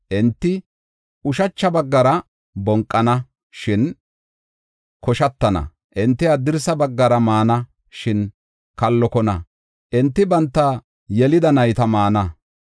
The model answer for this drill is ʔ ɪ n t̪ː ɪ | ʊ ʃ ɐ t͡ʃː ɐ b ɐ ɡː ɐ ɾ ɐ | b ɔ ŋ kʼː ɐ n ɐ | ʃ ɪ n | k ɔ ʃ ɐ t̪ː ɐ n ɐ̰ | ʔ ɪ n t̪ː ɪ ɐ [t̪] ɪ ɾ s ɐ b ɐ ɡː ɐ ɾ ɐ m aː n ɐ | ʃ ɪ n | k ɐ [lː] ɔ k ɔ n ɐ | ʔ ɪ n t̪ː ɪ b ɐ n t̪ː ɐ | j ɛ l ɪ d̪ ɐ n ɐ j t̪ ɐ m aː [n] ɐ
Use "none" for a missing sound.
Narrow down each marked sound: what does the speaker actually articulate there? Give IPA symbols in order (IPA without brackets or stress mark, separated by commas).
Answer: d̪, lː, n